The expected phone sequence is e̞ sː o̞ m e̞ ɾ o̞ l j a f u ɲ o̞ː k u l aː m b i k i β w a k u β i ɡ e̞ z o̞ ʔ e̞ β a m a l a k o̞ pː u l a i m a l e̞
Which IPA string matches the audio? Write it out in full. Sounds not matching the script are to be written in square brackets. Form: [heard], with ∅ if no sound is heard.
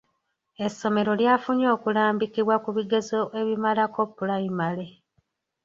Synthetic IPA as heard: e̞ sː o̞ m e̞ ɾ o̞ l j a f u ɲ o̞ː k u l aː m b i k i β w a k u β i ɡ e̞ z o̞ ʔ e̞ β [i] m a l a k o̞ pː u l a i m a l e̞